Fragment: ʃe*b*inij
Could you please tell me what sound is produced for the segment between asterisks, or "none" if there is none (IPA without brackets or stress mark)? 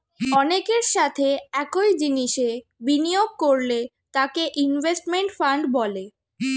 b